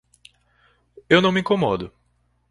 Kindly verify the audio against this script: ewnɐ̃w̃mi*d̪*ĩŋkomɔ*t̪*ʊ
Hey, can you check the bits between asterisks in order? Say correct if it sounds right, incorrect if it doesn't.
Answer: incorrect, incorrect

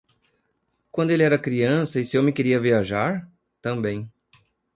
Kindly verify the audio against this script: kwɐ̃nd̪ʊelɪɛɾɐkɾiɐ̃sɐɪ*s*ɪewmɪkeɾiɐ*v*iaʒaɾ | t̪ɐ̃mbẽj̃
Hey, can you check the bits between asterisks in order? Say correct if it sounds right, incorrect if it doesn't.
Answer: correct, correct

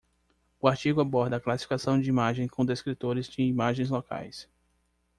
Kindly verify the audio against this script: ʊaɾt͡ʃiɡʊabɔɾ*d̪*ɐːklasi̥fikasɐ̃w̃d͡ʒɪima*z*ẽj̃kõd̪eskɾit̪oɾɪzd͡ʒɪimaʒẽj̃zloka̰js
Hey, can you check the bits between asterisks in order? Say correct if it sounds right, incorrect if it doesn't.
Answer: correct, incorrect

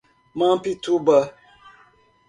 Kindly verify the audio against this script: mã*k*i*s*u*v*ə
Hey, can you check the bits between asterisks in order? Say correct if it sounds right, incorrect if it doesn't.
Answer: incorrect, incorrect, incorrect

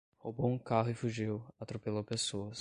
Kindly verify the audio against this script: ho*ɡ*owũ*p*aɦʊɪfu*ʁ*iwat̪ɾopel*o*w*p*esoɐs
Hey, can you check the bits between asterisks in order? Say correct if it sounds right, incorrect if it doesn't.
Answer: incorrect, incorrect, incorrect, correct, correct

